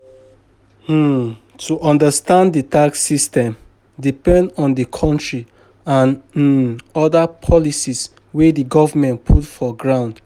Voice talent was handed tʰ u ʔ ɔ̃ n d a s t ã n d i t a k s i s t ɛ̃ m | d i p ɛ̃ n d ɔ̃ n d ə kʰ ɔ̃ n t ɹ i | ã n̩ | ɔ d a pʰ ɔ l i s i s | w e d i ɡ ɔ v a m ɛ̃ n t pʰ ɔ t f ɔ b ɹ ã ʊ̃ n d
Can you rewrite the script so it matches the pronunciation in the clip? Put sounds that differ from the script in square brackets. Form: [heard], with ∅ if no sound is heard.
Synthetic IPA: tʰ u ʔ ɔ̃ n d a s t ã n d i t a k s i s t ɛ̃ m | d i p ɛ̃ n d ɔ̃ n d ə kʰ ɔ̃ n t ɹ i | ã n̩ | ɔ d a pʰ ɔ l i s i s | w e d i ɡ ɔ v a m ɛ̃ n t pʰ [u] t f ɔ [ɡ] ɹ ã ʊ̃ n d